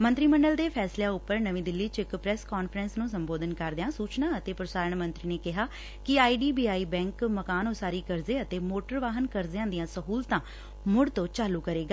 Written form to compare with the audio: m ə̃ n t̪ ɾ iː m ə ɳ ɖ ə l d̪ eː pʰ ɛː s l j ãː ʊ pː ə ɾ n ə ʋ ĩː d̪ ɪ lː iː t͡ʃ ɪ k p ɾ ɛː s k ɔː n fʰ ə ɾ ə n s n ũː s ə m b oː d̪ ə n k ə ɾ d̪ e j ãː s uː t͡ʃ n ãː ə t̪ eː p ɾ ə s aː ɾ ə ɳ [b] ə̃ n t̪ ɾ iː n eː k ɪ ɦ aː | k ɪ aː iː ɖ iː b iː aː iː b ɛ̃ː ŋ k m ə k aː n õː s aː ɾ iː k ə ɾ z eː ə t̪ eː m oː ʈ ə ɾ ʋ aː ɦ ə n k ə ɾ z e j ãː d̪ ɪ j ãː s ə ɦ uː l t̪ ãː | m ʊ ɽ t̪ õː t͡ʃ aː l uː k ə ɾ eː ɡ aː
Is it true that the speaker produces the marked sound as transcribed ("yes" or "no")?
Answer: no